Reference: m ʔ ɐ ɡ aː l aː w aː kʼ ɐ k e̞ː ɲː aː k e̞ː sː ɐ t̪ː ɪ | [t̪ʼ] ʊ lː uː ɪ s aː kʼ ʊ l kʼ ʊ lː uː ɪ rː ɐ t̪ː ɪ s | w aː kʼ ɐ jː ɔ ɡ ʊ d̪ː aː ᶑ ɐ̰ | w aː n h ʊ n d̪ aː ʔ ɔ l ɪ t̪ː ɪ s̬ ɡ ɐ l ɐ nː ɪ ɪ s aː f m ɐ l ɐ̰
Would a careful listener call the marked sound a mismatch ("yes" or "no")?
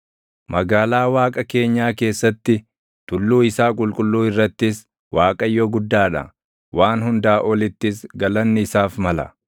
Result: yes